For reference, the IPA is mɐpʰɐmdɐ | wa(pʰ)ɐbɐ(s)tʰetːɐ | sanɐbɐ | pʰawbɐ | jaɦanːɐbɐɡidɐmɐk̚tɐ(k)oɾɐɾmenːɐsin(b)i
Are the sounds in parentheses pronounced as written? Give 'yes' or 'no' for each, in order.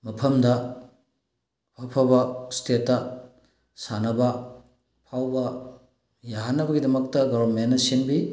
yes, yes, no, yes

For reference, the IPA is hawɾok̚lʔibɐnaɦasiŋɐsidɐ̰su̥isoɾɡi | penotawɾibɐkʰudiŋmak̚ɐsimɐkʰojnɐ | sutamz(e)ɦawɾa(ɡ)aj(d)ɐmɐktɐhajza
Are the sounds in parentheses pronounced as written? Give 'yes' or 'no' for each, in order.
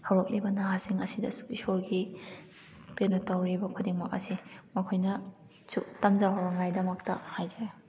no, no, yes

